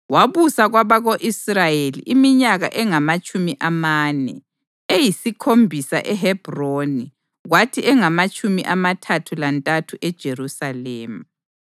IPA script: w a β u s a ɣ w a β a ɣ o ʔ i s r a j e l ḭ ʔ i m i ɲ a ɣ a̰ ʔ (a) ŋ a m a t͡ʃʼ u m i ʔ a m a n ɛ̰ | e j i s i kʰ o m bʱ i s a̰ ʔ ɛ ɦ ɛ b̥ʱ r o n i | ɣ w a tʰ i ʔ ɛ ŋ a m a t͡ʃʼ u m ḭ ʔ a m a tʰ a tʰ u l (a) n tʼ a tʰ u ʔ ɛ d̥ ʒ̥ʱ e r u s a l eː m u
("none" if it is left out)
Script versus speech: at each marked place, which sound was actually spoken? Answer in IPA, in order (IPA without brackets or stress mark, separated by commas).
ɛ, a